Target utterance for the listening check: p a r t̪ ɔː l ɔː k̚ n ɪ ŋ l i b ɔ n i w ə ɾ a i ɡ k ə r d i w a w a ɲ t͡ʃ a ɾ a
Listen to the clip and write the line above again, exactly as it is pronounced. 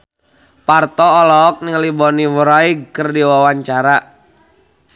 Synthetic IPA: p a r t̪ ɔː l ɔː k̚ n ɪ ŋ l i b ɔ n i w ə ɾ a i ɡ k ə r d i w a w a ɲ t͡ʃ a ɾ a